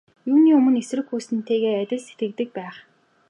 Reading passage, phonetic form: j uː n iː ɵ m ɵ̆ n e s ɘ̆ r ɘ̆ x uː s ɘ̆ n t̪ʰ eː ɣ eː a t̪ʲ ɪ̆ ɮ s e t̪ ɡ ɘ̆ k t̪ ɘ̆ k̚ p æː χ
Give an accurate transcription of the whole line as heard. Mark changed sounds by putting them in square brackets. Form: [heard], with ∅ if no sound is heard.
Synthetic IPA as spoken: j uː n iː ɵ m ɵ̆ n e s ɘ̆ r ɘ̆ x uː s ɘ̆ n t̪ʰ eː ɣ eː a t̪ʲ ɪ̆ ɮ s e t̪ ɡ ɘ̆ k t̪ ɘ̆ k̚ p æː χ